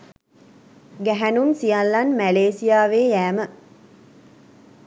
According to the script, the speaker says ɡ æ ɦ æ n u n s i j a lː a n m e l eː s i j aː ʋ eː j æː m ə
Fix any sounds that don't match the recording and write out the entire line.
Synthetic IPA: ɡ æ ɦ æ n u n s i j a lː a n m æ l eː s i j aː ʋ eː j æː m ə